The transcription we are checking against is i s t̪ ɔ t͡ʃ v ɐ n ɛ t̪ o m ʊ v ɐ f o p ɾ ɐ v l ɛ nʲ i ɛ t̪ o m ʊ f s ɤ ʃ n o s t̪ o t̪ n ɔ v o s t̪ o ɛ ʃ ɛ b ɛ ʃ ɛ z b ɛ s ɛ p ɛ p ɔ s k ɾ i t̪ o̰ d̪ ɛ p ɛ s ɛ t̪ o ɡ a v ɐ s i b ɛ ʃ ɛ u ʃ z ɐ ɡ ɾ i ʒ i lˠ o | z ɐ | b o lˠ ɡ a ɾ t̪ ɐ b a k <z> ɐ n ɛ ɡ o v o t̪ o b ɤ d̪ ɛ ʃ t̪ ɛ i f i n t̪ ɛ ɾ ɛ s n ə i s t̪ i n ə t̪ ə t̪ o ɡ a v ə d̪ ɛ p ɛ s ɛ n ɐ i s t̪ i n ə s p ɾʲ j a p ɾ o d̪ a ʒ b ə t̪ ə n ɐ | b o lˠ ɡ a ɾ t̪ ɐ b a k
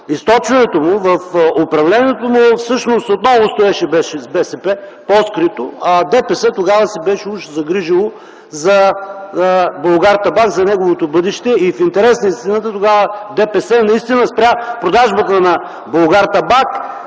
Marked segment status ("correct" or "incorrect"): correct